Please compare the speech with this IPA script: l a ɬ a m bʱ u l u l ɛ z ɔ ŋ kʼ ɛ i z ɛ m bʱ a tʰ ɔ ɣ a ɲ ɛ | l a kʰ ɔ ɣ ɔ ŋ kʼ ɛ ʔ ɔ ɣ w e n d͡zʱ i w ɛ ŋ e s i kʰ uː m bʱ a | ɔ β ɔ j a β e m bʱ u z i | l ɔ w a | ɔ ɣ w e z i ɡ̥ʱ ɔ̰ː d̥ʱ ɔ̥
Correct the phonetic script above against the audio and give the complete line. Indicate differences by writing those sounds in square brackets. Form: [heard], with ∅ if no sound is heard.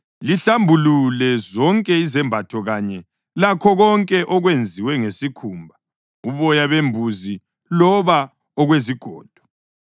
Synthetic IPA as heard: l [i] ɬ a m bʱ u l u l ɛ z ɔ ŋ kʼ ɛ i z ɛ m bʱ a tʰ ɔ ɣ a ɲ ɛ | l a kʰ ɔ ɣ ɔ ŋ kʼ ɛ ʔ ɔ ɣ w e n d͡zʱ i w ɛ ŋ e s i kʰ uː m bʱ a | [u] β ɔ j a β e m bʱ u z i | l ɔ [β] a | ɔ ɣ w e z i ɡ̥ʱ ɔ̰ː d̥ʱ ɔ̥